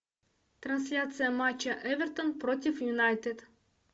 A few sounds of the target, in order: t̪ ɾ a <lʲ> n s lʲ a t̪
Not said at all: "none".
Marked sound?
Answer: none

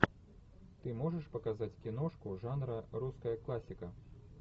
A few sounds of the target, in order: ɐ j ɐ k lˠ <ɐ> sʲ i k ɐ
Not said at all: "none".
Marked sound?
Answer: a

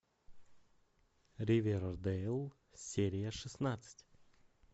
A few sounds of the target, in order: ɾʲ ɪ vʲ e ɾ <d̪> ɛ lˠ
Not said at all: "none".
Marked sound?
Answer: d̪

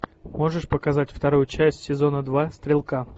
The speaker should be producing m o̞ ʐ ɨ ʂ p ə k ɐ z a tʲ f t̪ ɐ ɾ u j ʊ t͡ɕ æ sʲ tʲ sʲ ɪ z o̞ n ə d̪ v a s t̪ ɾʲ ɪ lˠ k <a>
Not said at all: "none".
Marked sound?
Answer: a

